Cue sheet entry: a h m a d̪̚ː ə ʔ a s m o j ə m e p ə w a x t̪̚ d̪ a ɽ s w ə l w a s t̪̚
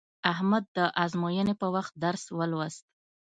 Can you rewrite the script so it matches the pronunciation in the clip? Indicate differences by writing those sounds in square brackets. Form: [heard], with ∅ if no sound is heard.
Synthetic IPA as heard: a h m a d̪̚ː ə ʔ a [z] m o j ə [n] e p ə w a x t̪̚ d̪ a [ɾ] s w ə l w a s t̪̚